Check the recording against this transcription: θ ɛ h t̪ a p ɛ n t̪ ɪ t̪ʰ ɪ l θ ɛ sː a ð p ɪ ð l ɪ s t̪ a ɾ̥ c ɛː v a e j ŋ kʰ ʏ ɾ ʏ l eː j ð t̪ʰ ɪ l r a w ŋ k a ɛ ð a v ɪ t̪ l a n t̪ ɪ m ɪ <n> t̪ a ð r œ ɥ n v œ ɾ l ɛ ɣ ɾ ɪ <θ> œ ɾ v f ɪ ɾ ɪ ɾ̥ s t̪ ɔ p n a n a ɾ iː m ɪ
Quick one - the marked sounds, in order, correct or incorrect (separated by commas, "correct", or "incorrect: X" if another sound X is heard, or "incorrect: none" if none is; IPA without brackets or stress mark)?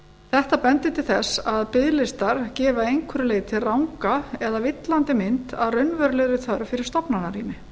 correct, correct